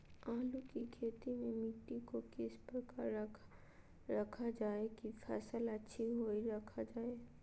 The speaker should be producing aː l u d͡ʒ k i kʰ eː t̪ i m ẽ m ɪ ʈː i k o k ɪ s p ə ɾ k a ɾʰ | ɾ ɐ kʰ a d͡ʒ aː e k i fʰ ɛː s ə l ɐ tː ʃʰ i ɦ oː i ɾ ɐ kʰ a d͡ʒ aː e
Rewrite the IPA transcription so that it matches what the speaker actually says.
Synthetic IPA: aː l u k i kʰ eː t̪ i m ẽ m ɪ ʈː i k o k ɪ s p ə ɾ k a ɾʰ | ɾ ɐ kʰ a d͡ʒ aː e k i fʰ ɛː s ə l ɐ tː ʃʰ i ɦ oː i ɾ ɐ kʰ a d͡ʒ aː e